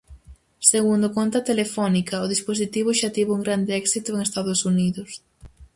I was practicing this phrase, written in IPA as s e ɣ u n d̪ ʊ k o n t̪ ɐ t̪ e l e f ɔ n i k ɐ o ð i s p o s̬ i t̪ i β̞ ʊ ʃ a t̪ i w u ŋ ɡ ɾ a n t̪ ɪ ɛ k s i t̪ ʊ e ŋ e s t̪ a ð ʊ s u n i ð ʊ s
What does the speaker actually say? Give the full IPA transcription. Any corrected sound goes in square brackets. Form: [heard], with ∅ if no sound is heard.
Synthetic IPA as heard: s e ɣ u n d̪ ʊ k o n t̪ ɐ t̪ e l e f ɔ n i k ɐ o ð i s p o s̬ i t̪ i β̞ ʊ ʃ a t̪ i [β] u ŋ ɡ ɾ a n [d̪] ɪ ɛ k s i t̪ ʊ e ŋ e s t̪ a ð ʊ s u n i ð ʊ s